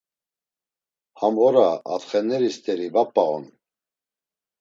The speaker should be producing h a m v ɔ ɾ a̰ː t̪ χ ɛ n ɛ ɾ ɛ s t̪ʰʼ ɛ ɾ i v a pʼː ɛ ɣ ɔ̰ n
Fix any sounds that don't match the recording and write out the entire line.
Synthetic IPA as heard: h a m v ɔ ɾ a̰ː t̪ χ ɛ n ɛ ɾ i s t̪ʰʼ ɛ ɾ i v a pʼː a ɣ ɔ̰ n